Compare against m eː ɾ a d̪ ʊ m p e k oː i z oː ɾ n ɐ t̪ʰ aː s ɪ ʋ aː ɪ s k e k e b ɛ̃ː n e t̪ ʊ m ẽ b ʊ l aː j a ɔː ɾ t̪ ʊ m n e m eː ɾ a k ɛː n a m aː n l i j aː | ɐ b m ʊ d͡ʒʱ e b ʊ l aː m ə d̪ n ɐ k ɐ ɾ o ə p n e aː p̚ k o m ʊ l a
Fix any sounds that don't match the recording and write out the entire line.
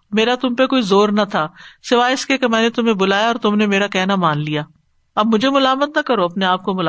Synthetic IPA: m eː ɾ a t̪ ʊ m p e k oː i z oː ɾ n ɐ t̪ʰ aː s ɪ ʋ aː ɪ s k e k e m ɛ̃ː n e t̪ ʊ m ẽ b ʊ l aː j a ɔː ɾ t̪ ʊ m n e m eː ɾ a k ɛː n a m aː n l i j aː | ɐ b m ʊ d͡ʒʱ e m ʊ l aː m ə t̪ n ɐ k ɐ ɾ o ɐ p n e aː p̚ k o m ʊ l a